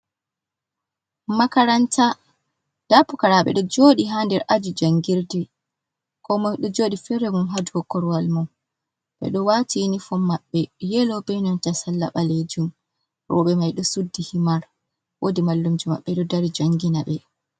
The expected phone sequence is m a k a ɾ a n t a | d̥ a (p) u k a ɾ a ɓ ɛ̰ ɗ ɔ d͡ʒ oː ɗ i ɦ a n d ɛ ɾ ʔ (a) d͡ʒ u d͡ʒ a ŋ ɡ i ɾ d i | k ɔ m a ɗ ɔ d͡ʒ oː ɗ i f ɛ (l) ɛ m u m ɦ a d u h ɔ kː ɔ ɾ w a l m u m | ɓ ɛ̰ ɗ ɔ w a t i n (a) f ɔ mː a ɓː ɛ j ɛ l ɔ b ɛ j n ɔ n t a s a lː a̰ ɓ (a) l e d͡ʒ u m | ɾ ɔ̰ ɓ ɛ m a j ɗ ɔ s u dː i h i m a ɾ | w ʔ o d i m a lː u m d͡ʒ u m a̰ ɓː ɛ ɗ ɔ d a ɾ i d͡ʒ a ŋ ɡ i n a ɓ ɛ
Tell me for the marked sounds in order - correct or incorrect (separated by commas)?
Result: correct, correct, incorrect, incorrect, correct